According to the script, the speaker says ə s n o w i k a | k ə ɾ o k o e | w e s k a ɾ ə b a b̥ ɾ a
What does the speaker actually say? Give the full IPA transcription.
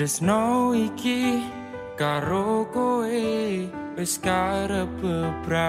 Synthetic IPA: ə s n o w i k i | k a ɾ o k o e | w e s k a ɾ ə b ə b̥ ɾ a